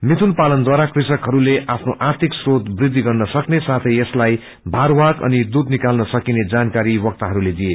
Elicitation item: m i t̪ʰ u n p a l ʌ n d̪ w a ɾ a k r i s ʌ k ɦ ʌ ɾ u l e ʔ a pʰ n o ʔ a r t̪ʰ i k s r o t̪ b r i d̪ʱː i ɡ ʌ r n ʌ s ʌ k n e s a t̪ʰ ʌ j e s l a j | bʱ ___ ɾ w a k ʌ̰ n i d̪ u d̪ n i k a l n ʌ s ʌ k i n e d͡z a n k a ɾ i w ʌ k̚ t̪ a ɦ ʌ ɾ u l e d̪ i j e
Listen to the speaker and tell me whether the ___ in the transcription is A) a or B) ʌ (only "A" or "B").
A